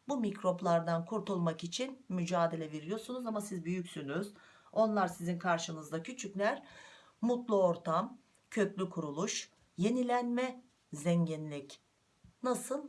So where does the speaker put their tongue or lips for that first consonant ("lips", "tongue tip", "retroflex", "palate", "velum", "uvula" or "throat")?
lips